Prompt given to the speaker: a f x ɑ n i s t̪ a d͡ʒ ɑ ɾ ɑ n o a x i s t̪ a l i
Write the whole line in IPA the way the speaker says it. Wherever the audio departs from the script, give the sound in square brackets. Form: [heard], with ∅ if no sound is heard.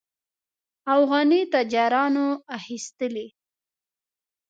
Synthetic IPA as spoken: a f [ɣ] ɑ n i [∅] t̪ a d͡ʒ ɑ ɾ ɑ n o a x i s t̪ [ə] l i